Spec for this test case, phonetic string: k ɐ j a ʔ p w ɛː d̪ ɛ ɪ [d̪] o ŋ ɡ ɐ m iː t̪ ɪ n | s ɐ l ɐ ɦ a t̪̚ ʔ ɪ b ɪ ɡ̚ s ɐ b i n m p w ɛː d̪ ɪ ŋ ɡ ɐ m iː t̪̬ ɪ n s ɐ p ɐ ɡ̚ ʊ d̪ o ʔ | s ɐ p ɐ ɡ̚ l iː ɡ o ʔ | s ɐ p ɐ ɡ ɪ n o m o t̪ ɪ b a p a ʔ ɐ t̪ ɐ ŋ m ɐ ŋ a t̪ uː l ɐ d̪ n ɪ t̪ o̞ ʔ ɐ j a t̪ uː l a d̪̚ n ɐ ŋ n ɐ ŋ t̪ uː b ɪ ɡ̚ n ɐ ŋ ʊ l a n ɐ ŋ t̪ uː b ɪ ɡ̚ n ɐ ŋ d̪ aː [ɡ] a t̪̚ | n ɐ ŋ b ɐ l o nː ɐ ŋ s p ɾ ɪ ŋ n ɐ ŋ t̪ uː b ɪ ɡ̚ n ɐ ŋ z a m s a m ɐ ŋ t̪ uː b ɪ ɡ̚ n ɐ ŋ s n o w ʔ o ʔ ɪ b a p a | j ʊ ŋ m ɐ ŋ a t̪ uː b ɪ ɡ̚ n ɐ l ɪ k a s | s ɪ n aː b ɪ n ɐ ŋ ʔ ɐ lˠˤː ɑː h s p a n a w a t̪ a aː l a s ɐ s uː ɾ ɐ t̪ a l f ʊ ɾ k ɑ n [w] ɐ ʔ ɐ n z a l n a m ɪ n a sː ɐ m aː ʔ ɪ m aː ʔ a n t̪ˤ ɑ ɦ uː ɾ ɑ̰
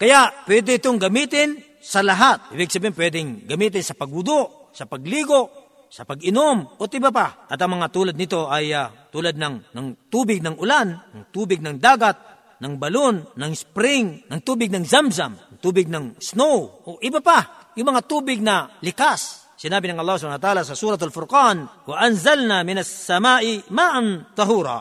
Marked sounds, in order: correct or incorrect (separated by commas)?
incorrect, correct, correct